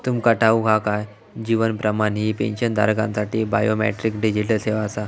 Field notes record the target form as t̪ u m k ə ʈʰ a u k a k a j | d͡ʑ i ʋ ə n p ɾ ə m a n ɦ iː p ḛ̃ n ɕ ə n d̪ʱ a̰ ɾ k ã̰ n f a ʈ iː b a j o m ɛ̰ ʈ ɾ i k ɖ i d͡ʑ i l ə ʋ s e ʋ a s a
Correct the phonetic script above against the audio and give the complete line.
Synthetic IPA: t̪ u m k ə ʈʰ a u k a k a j | d͡ʑ i ʋ ə n p ɾ ə m a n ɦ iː p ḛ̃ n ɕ ə n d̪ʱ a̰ ɾ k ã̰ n s a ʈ iː b a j o m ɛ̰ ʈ ɾ i k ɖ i d͡ʑ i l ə s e ʋ a s a

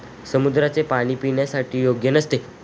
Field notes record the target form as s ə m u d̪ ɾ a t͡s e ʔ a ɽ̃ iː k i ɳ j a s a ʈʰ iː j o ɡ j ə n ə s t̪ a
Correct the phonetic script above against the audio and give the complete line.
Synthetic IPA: s ə m u d̪ ɾ a t͡s e p a ɽ̃ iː p i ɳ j a s a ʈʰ iː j o ɡ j ə n ə s t̪ e

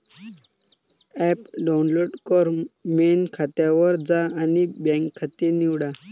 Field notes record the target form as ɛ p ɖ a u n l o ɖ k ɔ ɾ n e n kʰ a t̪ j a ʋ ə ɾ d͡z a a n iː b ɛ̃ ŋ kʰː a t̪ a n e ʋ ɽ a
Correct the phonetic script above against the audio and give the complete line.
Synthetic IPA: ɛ p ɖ a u n l o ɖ k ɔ ɾ m e n kʰ a t̪ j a ʋ ə ɾ d͡z a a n i b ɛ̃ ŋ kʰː a t̪ e n i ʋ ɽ a

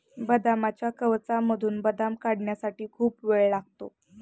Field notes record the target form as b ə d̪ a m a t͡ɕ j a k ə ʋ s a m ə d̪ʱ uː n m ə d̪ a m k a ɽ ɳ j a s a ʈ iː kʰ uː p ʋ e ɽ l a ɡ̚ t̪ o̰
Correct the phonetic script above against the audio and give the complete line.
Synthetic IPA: b ə d̪ a m a t͡ɕ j a k ə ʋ t͡s a m ə d̪ʱ uː n b ə d̪ a m k a ɽ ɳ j a s a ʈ iː kʰ uː p ʋ e ɭ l a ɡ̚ t̪ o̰

